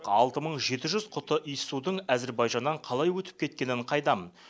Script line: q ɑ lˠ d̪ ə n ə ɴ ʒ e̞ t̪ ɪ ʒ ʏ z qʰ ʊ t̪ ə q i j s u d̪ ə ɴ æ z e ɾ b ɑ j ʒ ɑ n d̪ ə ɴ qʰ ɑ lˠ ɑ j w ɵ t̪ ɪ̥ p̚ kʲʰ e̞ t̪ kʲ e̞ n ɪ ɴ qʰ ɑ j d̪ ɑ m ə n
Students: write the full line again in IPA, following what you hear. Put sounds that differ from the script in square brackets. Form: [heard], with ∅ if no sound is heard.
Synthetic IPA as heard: q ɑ lˠ [t̪] ə [m] ə ɴ ʒ e̞ t̪ ɪ ʒ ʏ z qʰ ʊ t̪ ə [ʔ] i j s u d̪ ə ɴ æ z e ɾ b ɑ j ʒ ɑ n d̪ [ɑ] ɴ qʰ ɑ lˠ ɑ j w ɵ t̪ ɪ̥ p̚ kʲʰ e̞ t̪ kʲ e̞ n ɪ ɴ qʰ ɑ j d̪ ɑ m ə n